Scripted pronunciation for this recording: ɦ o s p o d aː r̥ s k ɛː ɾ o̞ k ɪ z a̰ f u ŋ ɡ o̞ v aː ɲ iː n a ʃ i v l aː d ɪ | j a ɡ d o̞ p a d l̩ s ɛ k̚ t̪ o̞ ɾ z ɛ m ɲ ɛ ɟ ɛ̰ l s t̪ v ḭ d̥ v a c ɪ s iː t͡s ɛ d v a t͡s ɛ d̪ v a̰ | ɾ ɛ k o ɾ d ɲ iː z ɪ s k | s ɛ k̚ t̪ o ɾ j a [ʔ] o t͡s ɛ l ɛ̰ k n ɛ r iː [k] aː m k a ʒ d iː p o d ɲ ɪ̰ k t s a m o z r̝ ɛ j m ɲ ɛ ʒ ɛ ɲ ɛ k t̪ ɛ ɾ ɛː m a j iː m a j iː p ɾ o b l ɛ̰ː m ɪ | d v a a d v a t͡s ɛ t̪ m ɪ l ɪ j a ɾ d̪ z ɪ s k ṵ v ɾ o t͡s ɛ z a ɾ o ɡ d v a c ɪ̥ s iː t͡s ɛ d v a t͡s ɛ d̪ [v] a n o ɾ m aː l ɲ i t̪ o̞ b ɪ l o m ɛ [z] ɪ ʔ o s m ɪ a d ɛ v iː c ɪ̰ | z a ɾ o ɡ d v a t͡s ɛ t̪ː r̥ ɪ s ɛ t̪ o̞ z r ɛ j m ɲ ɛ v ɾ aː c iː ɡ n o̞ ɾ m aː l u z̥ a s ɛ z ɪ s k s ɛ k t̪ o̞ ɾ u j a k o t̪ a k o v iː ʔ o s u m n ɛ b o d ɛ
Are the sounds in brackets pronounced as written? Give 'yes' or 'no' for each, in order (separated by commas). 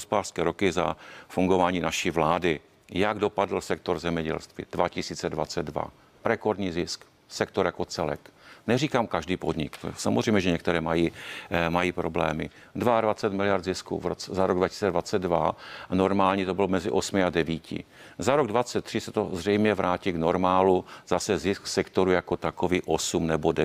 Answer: no, yes, yes, yes